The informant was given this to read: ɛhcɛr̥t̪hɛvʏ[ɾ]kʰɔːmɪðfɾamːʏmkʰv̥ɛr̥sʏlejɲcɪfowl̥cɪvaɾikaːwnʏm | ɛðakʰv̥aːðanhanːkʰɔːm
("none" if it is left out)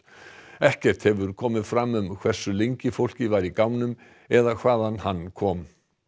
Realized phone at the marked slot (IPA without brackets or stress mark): ɾ